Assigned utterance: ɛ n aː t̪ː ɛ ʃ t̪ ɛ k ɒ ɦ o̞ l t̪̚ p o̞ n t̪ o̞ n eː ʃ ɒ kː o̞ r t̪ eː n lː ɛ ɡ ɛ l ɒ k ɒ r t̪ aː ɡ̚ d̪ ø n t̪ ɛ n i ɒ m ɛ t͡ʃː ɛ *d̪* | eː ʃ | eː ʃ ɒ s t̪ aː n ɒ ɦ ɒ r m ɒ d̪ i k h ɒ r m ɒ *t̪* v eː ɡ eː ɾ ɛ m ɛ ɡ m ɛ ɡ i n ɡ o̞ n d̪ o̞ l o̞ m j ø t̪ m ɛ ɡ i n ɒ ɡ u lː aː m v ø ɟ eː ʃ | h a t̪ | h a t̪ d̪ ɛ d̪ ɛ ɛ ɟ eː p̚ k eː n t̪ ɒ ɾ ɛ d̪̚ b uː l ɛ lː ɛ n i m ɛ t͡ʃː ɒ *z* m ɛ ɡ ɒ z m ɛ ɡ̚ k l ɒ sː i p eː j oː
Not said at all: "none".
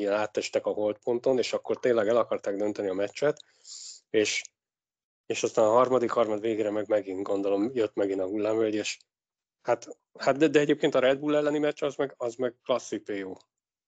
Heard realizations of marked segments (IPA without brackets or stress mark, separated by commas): t̪, d̪, z